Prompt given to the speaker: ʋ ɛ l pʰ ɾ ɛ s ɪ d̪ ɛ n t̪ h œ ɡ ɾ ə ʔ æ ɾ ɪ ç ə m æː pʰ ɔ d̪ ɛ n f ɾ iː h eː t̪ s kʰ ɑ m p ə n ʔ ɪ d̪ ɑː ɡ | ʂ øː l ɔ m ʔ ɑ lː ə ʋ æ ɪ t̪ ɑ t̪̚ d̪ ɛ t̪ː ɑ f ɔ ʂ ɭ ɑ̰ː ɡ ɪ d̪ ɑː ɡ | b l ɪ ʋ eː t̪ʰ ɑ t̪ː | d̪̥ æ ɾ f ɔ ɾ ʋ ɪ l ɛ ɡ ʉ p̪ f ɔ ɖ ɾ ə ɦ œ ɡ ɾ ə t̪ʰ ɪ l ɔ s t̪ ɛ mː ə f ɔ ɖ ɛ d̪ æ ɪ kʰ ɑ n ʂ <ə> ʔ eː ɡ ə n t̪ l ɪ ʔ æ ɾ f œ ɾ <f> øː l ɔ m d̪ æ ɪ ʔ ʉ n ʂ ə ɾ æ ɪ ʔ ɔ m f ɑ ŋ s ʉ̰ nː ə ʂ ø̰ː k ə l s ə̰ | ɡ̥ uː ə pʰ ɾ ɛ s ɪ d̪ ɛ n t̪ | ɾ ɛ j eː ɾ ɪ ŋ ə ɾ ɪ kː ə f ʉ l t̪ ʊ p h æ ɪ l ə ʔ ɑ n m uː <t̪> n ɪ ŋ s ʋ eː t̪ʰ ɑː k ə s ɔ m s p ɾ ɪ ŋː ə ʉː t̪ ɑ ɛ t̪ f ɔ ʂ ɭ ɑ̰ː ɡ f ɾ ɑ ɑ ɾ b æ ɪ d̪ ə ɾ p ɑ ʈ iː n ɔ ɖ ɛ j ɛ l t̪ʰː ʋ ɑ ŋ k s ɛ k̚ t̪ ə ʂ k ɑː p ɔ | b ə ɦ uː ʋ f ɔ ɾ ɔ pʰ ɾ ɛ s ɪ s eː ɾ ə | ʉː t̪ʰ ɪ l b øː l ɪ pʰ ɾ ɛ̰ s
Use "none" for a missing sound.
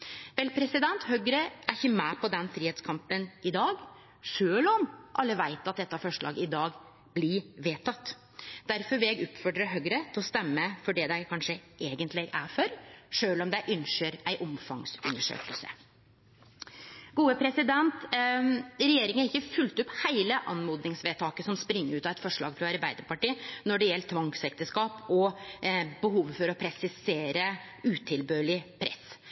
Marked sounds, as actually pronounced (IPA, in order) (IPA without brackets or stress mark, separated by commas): ə, ʂ, d̪